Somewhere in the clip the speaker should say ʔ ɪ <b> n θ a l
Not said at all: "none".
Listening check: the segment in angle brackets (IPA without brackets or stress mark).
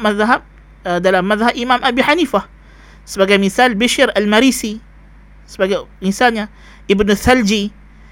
b